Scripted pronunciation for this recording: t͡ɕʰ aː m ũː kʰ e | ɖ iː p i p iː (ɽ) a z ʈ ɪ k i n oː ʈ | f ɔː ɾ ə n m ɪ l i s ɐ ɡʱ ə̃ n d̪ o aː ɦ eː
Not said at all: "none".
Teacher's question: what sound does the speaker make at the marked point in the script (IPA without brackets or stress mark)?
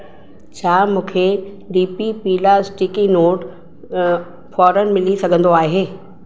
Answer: l